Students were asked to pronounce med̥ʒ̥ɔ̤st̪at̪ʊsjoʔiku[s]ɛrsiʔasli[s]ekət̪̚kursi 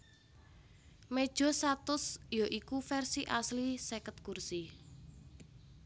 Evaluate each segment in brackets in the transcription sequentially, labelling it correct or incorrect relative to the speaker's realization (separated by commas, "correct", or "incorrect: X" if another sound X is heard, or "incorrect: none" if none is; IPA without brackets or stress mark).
incorrect: f, correct